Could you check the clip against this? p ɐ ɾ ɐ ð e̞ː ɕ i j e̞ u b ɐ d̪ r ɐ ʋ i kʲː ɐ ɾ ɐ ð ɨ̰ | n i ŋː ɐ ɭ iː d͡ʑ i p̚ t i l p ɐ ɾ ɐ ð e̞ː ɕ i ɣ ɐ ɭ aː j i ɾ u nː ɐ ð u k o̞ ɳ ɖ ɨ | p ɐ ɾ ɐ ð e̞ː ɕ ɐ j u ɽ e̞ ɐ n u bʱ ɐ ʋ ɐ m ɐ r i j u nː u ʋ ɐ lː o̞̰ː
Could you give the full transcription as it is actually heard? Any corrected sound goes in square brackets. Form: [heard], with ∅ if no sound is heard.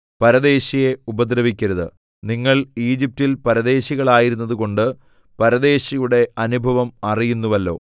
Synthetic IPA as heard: p ɐ ɾ ɐ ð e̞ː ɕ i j e̞ u b ɐ d̪ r ɐ ʋ i kʲː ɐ ɾ ɐ ð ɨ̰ | n i ŋː ɐ ɭ iː d͡ʑ i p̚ t i l p ɐ ɾ ɐ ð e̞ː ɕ i ɣ ɐ ɭ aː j i ɾ u nː ɐ ð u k o̞ ɳ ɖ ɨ | p ɐ ɾ ɐ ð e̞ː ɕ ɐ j u ɽ e̞ ɐ n u bʱ ɐ ʋ ɐ m ɐ r i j u nː u ʋ ɐ lː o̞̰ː